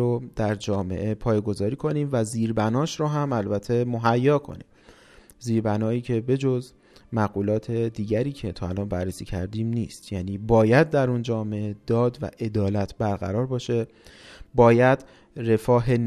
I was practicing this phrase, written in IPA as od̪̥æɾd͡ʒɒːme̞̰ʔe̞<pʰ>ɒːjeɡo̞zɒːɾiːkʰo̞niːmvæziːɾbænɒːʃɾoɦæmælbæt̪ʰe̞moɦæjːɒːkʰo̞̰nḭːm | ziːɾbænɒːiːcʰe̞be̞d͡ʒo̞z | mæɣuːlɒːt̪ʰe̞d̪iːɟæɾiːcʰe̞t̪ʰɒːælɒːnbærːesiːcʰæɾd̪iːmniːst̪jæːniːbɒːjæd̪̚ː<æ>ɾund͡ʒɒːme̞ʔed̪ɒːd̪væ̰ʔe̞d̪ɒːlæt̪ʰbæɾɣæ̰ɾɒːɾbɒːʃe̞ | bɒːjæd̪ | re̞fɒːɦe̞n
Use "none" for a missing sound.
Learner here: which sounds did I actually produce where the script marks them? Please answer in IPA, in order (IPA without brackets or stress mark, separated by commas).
pʰ, æ